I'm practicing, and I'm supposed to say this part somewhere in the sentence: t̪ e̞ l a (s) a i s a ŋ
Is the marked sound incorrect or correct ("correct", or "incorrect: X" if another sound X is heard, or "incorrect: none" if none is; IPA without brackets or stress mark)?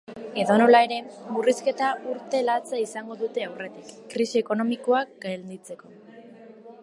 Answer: incorrect: t͡s